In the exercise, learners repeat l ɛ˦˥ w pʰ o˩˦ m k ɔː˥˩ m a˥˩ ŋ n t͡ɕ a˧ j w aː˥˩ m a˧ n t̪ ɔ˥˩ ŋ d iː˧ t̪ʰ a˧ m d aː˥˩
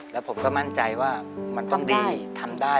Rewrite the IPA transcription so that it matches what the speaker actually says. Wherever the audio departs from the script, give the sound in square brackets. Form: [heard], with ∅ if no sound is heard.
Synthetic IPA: l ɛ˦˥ w pʰ o˩˦ m k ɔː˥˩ m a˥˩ [∅] n t͡ɕ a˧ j w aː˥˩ m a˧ n t̪ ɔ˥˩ ŋ d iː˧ t̪ʰ a˧ m d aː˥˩